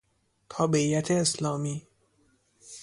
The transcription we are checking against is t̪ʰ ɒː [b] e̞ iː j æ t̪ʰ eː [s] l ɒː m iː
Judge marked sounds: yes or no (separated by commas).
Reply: yes, yes